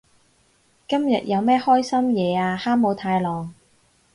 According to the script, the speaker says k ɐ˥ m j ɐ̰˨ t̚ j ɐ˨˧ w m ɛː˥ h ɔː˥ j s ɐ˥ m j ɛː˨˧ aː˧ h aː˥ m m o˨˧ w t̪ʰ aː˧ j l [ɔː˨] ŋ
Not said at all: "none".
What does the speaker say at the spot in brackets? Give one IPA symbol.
ɔː˨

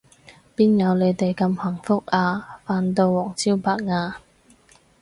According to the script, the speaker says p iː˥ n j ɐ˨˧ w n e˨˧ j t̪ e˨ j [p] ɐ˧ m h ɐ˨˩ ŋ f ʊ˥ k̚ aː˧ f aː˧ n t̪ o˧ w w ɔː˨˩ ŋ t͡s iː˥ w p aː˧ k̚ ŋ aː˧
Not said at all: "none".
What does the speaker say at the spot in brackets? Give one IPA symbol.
k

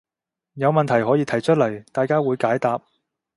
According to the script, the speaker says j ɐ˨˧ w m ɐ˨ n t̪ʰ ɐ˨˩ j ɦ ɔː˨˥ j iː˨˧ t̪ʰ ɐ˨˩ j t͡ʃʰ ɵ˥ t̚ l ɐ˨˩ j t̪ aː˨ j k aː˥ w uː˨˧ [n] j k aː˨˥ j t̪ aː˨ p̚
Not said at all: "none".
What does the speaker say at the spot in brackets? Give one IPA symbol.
none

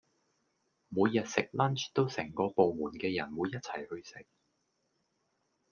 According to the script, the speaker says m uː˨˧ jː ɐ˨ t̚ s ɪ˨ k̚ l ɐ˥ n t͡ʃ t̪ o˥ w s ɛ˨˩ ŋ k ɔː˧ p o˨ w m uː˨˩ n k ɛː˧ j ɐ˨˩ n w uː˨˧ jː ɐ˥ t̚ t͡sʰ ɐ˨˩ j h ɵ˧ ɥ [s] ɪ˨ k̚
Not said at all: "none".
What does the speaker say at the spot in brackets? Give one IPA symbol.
s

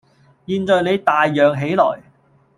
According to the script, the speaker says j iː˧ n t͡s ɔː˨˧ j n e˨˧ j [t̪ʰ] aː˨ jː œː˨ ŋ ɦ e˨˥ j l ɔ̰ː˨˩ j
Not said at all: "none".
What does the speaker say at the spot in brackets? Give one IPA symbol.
t̪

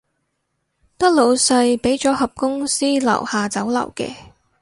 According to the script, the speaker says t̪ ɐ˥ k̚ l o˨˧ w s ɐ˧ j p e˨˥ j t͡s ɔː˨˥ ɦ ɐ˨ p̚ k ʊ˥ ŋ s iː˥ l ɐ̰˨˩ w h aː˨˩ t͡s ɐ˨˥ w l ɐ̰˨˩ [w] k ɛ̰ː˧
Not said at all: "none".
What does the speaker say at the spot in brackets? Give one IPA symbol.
w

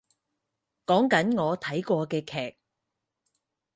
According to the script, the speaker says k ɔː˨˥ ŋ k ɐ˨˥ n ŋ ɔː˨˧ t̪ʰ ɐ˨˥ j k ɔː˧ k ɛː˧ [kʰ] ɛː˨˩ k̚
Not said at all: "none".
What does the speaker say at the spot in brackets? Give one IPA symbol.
kʰ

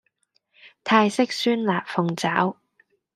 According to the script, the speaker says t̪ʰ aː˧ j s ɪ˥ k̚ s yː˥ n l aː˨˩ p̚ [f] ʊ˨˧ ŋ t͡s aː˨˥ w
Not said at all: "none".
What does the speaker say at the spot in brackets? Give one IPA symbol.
f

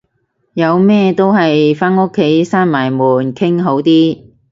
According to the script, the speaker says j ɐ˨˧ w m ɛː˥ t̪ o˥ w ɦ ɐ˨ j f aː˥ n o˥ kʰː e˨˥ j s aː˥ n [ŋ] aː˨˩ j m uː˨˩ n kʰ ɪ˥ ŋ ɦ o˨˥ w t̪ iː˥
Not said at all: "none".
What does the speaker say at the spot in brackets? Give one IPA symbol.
m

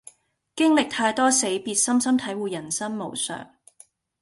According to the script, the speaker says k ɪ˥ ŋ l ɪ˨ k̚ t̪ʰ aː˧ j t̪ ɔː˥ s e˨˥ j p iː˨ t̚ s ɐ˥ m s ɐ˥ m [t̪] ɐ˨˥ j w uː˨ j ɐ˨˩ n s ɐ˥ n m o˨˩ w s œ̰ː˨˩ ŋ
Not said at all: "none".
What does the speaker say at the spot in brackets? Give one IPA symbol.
t̪ʰ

